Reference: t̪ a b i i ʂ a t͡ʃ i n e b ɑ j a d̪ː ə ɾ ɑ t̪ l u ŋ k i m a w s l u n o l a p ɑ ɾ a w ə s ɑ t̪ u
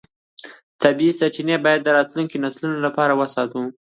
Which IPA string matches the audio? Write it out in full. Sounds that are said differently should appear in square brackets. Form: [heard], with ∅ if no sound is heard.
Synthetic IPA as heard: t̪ a b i i [s] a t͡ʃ i n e b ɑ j a d̪ː ə ɾ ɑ t̪ l u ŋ k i [n] a [∅] s l u n o l a p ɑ ɾ a w ə s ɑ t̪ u